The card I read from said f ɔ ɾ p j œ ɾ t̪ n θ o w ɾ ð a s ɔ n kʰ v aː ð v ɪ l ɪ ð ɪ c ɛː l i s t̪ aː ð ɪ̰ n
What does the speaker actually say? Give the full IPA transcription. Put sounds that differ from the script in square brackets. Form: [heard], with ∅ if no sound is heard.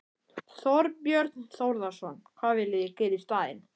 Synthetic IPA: [θ] ɔ ɾ p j œ ɾ t̪ n θ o w ɾ ð a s ɔ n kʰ v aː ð v ɪ l ɪ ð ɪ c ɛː [ɾ] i s t̪ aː ð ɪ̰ n